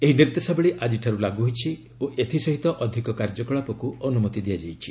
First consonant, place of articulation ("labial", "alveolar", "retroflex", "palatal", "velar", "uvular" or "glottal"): glottal